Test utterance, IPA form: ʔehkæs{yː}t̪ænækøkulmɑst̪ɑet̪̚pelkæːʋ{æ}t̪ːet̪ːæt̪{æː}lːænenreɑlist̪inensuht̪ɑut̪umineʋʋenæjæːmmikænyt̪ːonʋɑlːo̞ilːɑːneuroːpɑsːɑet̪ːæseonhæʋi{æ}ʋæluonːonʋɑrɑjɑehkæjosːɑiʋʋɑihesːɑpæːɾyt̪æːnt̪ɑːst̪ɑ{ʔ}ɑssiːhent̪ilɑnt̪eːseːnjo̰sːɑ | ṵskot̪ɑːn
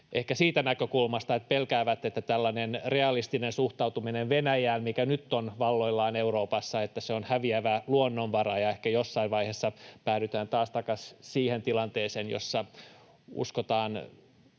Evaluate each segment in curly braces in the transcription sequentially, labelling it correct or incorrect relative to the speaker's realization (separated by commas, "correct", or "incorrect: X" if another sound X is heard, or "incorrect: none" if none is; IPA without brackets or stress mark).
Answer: incorrect: iː, correct, incorrect: æ, correct, incorrect: k